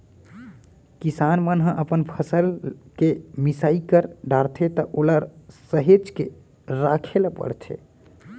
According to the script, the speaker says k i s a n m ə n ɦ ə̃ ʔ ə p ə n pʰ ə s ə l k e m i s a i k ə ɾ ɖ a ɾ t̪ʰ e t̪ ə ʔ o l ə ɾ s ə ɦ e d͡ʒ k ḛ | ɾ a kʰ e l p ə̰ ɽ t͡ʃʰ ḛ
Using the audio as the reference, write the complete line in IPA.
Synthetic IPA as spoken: k i s a n m ə n ɦ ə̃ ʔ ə p ə n pʰ ə s ə l k e m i s a i k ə ɾ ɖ a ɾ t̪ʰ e t̪ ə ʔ o l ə ɾ s ə ɦ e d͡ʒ k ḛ | ɾ a kʰ e l p ə̰ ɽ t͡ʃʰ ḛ